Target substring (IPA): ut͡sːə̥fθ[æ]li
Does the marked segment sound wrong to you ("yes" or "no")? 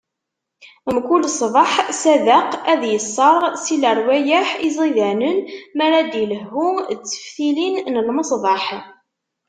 yes